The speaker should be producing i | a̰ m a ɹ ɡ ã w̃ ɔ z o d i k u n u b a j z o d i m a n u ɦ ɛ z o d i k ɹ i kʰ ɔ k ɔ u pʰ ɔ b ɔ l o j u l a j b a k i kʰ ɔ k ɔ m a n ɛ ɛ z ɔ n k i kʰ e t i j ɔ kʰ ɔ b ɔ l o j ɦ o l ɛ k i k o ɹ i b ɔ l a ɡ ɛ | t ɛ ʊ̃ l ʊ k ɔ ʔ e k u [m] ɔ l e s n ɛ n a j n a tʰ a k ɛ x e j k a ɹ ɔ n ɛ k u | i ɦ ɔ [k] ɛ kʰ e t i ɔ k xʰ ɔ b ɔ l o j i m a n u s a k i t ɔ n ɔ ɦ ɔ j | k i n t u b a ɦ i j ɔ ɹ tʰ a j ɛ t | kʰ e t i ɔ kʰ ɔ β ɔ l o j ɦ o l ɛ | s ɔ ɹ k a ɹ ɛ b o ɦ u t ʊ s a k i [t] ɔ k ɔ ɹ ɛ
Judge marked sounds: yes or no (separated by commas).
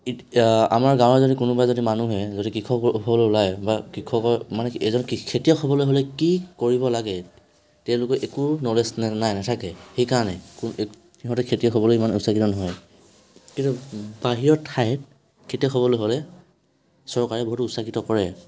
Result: no, no, yes